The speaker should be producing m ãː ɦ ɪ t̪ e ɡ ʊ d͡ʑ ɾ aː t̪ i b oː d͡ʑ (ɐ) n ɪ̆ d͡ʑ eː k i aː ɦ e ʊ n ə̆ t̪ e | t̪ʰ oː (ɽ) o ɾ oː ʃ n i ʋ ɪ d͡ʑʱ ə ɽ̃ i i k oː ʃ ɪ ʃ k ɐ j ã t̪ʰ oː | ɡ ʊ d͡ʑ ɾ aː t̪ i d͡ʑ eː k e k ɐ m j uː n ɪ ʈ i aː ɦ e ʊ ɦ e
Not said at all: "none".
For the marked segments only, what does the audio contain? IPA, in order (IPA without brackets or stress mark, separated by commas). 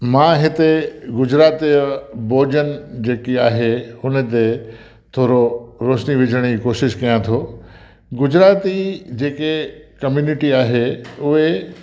ə, ɾ